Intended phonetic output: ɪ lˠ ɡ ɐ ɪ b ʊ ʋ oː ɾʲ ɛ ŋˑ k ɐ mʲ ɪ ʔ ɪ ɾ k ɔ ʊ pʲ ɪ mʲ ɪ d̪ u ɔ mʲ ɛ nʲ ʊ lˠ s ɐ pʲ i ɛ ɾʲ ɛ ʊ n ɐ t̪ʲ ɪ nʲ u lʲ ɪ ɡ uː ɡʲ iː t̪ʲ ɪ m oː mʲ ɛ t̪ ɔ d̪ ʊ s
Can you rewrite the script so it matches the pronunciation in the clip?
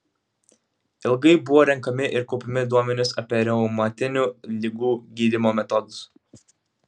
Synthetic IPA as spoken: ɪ lˠ ɡ ɐ ɪ b ʊ ʋ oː ɾʲ ɛ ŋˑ k ɐ mʲ ɪ ʔ ɪ ɾ k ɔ ʊ pʲ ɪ mʲ ɪ d̪ u ɔ mʲ ɛ nʲ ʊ s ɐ pʲ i ɛ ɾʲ ɛ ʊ m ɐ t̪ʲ ɪ nʲ u lʲ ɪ ɡ uː ɡʲ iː d̪ʲ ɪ m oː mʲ ɛ t̪ ɔ d̪ ʊ s